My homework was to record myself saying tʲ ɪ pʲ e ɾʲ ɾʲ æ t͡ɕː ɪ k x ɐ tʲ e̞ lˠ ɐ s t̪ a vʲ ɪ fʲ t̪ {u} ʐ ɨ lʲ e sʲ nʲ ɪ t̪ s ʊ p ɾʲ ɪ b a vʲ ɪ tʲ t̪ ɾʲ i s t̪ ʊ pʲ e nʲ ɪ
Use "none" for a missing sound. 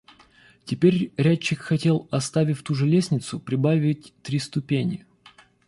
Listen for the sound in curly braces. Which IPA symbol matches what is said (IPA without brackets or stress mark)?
u